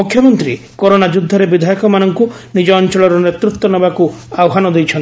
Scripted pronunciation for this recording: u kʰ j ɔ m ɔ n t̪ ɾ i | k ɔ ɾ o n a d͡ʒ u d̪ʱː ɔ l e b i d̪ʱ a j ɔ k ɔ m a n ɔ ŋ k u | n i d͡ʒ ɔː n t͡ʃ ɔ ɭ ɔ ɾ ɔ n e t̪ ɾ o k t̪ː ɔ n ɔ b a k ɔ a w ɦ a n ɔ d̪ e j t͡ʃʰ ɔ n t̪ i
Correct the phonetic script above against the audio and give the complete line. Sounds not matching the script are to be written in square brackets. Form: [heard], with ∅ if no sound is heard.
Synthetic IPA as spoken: u kʰ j ɔ m ɔ n t̪ ɾ i | k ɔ ɾ o n a d͡ʒ u d̪ʱː ɔ [ɾ] e b i d̪ʱ a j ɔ k ɔ m a n ɔ ŋ k u | n i d͡ʒ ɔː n t͡ʃ ɔ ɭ ɔ ɾ ɔ n e t̪ ɾ [u] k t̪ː ɔ n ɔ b a k [u] a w ɦ a n ɔ d̪ e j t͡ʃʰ ɔ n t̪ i